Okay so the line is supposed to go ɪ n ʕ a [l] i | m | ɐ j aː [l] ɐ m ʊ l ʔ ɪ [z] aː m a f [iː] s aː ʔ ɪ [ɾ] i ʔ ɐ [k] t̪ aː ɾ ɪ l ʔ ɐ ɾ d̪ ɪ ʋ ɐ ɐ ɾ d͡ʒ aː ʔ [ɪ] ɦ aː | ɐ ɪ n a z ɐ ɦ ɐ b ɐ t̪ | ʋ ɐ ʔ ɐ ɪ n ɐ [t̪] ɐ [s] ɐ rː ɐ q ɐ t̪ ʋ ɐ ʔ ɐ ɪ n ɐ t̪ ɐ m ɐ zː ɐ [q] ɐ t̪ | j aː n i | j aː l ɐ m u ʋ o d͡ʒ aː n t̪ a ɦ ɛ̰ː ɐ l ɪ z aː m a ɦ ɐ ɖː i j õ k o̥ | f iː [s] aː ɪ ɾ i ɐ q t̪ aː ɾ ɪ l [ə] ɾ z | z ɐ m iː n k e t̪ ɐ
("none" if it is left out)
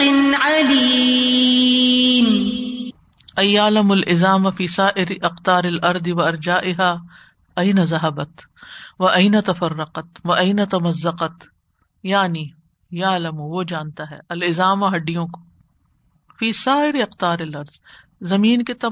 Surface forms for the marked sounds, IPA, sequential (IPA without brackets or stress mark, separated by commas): l, l, z, iː, ɾ, q, ɪ, t̪, f, q, s, ɐ